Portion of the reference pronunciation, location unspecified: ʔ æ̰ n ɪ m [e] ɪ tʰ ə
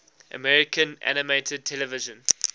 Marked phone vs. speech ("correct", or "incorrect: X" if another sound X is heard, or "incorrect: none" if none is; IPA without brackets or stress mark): correct